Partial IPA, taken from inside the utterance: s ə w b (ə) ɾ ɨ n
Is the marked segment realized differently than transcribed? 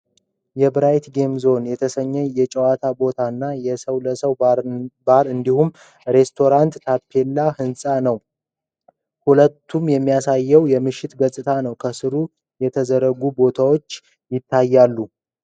yes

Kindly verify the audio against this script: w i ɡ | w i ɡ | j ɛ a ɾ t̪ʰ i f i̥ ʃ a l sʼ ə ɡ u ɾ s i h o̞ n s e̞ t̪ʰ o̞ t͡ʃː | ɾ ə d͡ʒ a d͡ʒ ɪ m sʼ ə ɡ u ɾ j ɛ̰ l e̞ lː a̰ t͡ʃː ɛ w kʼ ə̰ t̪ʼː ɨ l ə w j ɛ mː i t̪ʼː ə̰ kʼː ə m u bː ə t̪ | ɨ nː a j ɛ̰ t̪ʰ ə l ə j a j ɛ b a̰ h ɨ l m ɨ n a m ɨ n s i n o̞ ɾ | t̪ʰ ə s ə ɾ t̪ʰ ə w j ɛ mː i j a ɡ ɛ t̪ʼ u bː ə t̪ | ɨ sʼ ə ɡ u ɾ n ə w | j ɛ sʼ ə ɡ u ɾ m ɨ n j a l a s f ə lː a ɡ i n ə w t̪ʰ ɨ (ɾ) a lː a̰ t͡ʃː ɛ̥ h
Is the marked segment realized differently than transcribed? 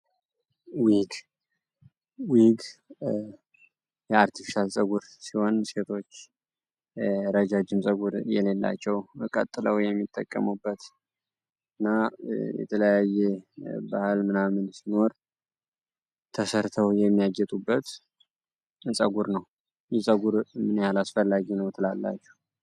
yes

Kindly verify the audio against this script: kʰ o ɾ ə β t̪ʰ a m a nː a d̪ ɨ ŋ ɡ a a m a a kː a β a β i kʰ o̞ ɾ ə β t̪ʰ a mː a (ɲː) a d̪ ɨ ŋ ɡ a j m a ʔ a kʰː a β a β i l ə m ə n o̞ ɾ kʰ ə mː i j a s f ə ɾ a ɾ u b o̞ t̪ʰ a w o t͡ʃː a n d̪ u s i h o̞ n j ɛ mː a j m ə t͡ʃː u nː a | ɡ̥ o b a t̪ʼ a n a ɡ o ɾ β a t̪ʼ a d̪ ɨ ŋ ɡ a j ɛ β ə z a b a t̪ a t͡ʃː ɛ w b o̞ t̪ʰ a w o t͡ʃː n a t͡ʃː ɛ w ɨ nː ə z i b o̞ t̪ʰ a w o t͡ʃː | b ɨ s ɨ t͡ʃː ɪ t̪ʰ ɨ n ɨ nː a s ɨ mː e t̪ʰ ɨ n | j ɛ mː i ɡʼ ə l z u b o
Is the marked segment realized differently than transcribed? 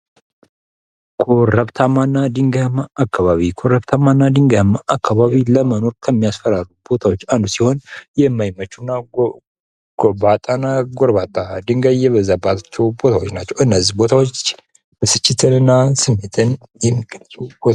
yes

